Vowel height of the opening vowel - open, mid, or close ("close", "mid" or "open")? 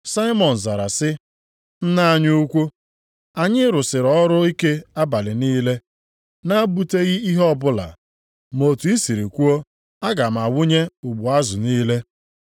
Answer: open